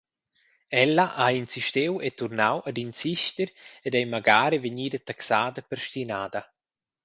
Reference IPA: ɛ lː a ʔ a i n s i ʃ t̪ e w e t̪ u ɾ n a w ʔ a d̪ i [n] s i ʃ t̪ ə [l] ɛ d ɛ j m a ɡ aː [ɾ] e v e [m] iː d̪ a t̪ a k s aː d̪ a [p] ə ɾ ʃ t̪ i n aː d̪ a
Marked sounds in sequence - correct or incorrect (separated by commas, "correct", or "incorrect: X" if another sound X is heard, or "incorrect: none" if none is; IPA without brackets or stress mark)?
correct, incorrect: ɾ, correct, incorrect: ɲ, correct